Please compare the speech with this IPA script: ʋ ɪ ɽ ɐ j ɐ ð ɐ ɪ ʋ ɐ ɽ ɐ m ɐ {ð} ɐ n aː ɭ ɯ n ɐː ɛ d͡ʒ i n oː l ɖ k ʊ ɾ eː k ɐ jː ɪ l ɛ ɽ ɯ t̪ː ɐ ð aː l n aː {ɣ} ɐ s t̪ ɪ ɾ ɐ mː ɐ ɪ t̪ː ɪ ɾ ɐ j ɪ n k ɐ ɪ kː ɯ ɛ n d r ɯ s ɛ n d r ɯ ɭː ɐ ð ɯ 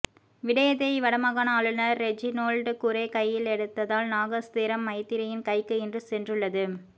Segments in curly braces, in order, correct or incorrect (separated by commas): incorrect, correct